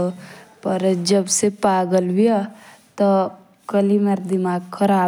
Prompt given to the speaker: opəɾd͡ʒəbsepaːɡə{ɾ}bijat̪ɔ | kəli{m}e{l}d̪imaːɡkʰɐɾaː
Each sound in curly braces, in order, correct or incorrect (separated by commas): incorrect, correct, incorrect